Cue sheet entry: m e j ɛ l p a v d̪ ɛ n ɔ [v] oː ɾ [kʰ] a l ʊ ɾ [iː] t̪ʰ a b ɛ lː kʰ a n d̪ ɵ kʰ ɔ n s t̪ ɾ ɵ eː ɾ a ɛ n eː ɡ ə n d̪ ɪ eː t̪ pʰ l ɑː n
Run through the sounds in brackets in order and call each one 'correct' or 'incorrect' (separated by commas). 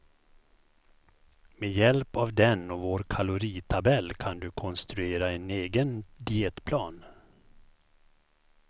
correct, correct, correct